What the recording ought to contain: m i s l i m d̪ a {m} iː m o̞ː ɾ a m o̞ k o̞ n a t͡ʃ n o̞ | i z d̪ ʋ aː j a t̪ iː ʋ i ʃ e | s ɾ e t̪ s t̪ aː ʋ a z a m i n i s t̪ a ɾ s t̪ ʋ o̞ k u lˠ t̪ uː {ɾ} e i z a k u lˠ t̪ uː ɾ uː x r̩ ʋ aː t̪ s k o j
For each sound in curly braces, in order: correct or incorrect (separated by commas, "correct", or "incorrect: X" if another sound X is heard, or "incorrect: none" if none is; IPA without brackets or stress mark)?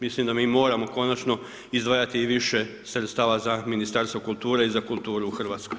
correct, correct